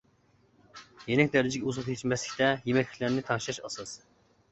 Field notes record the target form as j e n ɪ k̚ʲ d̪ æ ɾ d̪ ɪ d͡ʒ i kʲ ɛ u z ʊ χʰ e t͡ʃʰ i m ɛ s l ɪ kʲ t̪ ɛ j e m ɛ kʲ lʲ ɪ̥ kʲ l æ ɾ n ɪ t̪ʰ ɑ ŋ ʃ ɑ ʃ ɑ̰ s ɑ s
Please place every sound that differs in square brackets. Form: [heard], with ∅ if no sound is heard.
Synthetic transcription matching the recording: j e n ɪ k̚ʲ d̪ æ ɾ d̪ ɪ d͡ʒ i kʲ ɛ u z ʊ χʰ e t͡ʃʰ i m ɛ s l ɪ kʲ t̪ ɛ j e m ɛ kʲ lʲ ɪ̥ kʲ l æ ɾ n ɪ t̪ʰ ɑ ŋ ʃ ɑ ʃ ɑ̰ s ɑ s